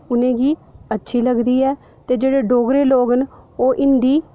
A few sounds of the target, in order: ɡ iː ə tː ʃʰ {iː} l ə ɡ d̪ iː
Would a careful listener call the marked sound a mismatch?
no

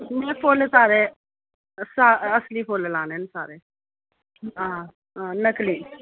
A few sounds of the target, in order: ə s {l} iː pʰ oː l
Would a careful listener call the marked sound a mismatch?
no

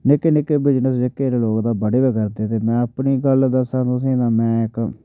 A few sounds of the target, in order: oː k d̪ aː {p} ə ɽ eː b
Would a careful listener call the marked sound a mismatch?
yes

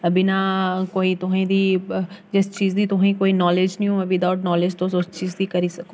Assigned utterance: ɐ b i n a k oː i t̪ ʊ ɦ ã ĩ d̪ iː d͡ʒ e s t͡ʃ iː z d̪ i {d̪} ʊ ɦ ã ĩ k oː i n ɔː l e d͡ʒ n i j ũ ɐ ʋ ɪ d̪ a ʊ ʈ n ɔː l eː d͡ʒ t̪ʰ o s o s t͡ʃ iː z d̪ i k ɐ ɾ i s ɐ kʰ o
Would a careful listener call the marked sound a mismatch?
yes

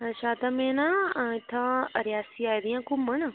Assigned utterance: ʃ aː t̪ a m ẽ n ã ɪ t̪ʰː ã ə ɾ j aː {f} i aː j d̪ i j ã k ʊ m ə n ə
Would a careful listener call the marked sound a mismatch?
yes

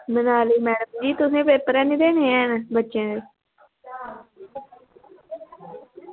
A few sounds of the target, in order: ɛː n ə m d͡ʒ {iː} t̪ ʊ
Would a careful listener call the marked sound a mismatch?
no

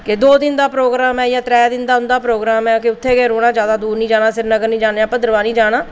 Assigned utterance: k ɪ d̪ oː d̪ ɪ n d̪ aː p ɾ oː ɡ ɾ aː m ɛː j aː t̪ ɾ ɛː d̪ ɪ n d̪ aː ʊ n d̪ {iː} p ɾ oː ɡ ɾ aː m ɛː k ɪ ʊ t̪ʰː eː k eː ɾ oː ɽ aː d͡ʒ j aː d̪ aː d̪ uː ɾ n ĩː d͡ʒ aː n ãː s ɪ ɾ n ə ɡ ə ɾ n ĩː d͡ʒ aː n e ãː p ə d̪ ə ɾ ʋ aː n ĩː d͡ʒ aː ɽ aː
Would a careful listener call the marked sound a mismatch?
yes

